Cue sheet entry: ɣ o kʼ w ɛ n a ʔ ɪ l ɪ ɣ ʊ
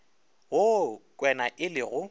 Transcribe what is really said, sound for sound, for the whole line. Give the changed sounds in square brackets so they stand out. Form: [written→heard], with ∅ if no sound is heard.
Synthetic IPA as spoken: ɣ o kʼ w ɛ n a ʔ ɪ l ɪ ɣ ʊ